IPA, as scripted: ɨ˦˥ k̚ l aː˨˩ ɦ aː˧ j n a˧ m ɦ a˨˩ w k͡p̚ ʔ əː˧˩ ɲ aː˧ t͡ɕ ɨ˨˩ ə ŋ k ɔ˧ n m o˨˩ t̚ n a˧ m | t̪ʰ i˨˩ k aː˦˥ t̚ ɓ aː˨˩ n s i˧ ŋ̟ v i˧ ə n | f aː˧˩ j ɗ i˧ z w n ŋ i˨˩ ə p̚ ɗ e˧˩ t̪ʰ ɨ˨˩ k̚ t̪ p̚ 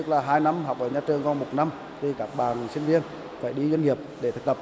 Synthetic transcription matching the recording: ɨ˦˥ k̚ l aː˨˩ ɦ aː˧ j n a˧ m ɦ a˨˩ w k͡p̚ ʔ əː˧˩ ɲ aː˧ t͡ɕ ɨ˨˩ ə ŋ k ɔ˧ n m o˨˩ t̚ n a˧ m | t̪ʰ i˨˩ k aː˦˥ k̚ ɓ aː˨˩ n s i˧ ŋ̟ v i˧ ə n | f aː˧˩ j ɗ i˧ z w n ŋ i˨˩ ə p̚ ɗ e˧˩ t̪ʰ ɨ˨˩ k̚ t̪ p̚

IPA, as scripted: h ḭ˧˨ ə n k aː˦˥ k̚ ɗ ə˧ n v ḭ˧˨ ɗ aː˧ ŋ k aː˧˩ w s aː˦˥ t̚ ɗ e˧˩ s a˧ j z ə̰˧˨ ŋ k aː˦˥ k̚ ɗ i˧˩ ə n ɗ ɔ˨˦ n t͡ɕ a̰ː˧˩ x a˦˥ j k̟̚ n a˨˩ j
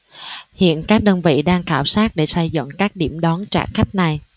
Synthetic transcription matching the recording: h ḭ˧˨ ə n k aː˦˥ k̚ ɗ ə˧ n v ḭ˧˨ ɗ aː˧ ŋ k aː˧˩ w s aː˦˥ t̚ ɗ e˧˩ s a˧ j z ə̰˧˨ ŋ k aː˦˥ k̚ ɗ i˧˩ ə m ɗ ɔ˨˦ n t͡ɕ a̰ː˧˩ x a˦˥ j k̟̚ n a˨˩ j

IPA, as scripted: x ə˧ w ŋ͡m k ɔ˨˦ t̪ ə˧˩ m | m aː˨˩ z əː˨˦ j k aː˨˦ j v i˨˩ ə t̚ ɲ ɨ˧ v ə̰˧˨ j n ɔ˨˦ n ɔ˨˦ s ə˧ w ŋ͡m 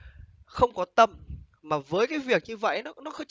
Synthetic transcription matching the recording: x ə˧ w ŋ͡m k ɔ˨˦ t̪ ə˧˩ m | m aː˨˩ v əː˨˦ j k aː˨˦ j v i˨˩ ə k̚ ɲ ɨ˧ v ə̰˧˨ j n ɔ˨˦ n ɔ˨˦ x ə˧ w ŋ͡m

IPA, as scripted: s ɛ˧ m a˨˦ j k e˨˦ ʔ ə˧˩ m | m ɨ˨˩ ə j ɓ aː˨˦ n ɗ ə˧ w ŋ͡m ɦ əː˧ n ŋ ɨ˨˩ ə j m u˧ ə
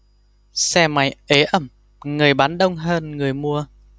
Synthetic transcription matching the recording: s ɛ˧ m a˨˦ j ʔ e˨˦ ʔ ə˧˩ m | ŋ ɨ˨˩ ə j ɓ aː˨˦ n ɗ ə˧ w ŋ͡m ɦ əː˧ n ŋ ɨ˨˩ ə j m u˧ ə

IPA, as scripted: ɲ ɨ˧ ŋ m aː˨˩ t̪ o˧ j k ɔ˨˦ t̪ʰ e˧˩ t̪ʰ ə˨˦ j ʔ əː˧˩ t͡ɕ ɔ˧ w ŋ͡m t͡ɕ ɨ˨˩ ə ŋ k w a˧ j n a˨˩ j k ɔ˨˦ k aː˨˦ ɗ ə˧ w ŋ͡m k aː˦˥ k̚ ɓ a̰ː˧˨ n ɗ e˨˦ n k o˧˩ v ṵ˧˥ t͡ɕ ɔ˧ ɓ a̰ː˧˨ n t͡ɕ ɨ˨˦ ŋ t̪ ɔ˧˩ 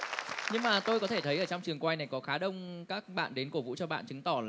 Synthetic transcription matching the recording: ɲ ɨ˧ ŋ m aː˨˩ t̪ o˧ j k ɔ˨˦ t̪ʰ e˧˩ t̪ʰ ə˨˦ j ʔ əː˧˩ t͡ɕ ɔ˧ w ŋ͡m t͡ɕ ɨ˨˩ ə ŋ k w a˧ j n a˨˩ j k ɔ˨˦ x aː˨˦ ɗ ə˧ w ŋ͡m k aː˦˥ k̚ ɓ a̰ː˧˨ n ɗ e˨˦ n k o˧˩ v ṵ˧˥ t͡ɕ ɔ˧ ɓ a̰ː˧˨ n t͡ɕ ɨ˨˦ ŋ t̪ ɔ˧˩

